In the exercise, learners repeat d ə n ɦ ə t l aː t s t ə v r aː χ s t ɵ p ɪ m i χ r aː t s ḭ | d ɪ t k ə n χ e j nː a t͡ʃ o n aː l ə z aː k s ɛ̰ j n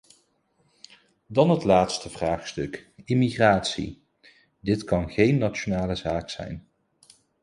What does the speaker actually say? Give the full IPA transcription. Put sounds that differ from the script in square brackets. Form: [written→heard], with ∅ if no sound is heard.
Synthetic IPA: d [ə→ɑ] n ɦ ə t l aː t s t ə v r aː χ s t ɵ [p→k] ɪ m i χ r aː t s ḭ | d ɪ t k [ə→ɑ] n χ e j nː a t͡ʃ o n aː l ə z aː k s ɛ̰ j n

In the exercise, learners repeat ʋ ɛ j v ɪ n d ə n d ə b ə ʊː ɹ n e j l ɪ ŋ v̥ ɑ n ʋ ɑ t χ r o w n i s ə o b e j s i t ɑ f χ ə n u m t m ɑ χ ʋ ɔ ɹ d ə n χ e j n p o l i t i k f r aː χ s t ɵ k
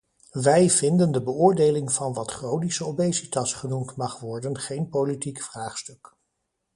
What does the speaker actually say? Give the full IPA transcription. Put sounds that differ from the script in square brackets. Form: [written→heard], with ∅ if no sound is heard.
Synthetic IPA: ʋ ɛ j v ɪ n d ə n d ə b ə ʊː ɹ [n→d] e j l ɪ ŋ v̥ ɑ n ʋ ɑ t χ r o w n i s ə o b e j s i t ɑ [f→s] χ ə n u m t m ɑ χ ʋ ɔ ɹ d ə n χ e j n p o l i t i k f r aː χ s t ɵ k

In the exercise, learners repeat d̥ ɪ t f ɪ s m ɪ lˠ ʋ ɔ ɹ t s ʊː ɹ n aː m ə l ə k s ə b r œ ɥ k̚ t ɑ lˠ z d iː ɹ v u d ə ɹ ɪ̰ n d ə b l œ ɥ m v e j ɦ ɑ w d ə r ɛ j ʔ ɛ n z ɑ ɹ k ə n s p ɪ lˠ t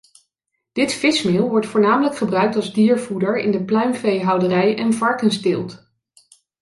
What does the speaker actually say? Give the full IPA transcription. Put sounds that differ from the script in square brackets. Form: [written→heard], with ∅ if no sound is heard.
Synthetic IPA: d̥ ɪ t f ɪ s m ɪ lˠ ʋ ɔ ɹ t [s→f] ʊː ɹ n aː m ə l ə k [s→χ] ə b r œ ɥ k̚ t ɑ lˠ z d iː ɹ v u d ə ɹ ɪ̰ n d ə [b→p] l œ ɥ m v e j ɦ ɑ w d ə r ɛ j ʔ ɛ n [z→v] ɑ ɹ k ə n s [p→t] ɪ lˠ t

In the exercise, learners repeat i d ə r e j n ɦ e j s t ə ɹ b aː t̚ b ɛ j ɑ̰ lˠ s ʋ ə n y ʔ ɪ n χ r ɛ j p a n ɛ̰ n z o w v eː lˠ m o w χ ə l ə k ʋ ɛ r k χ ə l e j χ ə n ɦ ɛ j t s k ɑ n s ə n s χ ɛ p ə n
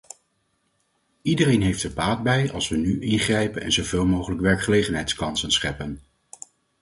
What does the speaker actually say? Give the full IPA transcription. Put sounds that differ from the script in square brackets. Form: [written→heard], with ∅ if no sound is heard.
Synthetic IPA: i d ə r e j n ɦ e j [s→f] t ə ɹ b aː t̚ b ɛ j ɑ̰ lˠ s ʋ ə n y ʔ ɪ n χ r ɛ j p [a→ə] n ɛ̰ n z o w v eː lˠ m o w χ ə l ə k ʋ ɛ [r→ɹ] k χ ə l e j χ ə n ɦ ɛ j t s k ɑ n s ə n s χ ɛ p ə n

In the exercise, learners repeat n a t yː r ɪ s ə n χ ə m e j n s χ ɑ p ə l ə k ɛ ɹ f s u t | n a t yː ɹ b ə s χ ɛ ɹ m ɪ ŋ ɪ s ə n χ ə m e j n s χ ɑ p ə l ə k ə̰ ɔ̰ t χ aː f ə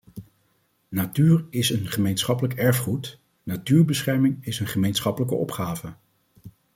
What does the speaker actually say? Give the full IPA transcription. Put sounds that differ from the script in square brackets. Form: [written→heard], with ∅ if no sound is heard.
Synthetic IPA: n a t yː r ɪ s ə n χ ə m e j n s χ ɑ p ə l ə k ɛ ɹ f [s→χ] u t | n a t yː ɹ b ə s χ ɛ ɹ m ɪ ŋ ɪ s ə n χ ə m e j n s χ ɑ p ə l ə k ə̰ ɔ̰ [t→p] χ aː [f→v] ə

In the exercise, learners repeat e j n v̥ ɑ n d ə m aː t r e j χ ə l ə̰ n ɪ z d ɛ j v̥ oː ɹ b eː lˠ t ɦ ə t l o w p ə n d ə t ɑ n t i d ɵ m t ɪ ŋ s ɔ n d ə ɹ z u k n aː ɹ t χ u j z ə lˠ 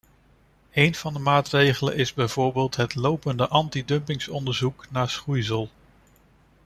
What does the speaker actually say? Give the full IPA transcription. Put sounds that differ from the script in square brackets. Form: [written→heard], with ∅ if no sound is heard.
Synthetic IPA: e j n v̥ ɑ n d ə m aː t r e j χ ə l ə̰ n ɪ z [d→b] ɛ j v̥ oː ɹ b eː lˠ t ɦ ə t l o w p ə n d ə [t→ʔ] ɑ n t i d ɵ m [t→p] ɪ ŋ s ɔ n d ə ɹ z u k n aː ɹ [t→s] χ u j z ə lˠ

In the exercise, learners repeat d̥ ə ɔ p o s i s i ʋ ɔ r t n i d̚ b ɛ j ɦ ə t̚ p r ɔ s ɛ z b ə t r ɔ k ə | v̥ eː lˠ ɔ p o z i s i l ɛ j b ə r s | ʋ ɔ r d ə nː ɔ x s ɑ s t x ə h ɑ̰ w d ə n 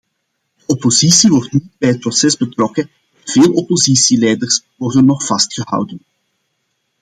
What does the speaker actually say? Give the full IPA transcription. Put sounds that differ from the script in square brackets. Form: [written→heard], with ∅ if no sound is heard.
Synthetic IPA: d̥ ə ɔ p o [s→z] i s i ʋ ɔ r t n i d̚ b ɛ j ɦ ə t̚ p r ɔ s ɛ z b ə t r ɔ k ə | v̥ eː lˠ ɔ p o z i s i l ɛ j [b→d] ə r s | ʋ ɔ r d ə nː ɔ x [s→f] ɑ s t x ə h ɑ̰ w d ə n

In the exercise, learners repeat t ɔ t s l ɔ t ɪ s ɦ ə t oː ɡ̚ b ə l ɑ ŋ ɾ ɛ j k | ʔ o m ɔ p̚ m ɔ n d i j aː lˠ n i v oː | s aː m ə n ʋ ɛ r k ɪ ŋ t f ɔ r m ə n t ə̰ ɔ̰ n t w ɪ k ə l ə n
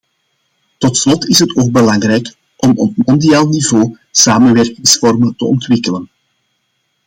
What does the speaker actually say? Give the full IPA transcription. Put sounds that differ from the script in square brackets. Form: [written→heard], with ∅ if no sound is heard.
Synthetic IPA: t ɔ t s l ɔ t ɪ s ɦ ə t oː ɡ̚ b ə l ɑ ŋ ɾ ɛ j k | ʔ [o→ɔ] m ɔ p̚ m ɔ n d i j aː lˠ n i v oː | s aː m ə n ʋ ɛ r k ɪ ŋ [t→s] f ɔ r m ə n t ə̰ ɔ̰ n t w ɪ k ə l ə n

